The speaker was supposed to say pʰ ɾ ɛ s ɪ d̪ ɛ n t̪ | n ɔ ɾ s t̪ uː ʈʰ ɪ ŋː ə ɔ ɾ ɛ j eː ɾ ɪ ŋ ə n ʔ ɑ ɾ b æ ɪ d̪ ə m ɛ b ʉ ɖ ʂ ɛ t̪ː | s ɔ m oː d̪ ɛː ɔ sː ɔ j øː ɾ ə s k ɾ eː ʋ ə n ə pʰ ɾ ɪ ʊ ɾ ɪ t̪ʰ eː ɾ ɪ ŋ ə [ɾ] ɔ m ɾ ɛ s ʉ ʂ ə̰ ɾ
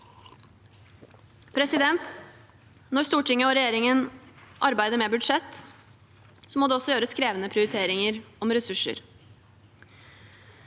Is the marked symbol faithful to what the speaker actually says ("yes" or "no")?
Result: yes